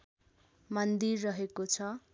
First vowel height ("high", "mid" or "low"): mid